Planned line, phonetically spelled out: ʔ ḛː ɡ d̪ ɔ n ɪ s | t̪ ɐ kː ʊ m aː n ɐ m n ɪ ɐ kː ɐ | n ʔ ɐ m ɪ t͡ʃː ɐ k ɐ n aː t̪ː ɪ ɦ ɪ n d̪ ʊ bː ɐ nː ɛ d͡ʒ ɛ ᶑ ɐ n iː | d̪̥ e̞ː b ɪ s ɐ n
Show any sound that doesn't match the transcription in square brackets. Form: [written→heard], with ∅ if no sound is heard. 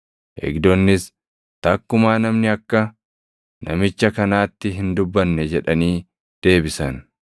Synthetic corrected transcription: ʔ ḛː ɡ d̪ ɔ [n→nː] ɪ s | t̪ ɐ kː ʊ m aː n ɐ m n ɪ ɐ kː ɐ | n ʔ ɐ m ɪ t͡ʃː ɐ k ɐ n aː t̪ː ɪ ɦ ɪ n d̪ ʊ bː ɐ nː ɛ d͡ʒ ɛ ᶑ ɐ n iː | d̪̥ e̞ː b ɪ s ɐ n